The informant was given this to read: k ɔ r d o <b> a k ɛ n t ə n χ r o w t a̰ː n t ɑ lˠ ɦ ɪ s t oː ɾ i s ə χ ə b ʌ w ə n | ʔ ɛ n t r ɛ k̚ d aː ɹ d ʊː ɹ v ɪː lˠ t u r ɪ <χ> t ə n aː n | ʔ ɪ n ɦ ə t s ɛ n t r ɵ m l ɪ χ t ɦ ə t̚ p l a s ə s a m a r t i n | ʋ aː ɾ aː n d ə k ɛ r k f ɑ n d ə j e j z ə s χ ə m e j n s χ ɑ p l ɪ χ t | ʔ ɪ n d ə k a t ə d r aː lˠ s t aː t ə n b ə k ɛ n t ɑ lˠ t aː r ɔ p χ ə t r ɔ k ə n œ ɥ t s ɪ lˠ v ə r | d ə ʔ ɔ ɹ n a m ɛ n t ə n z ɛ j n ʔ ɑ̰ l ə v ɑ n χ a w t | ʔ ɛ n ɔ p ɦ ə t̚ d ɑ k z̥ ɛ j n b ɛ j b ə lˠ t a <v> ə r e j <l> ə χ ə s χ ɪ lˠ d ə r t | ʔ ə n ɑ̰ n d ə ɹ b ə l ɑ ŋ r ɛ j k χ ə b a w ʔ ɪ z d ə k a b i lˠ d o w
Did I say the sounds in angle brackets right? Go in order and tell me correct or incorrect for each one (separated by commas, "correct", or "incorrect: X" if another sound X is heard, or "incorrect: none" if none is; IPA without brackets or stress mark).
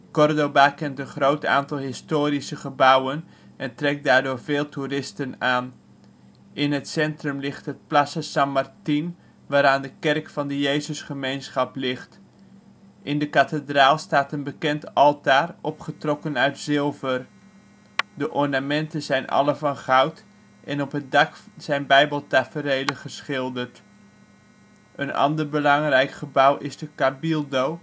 correct, incorrect: s, incorrect: f, correct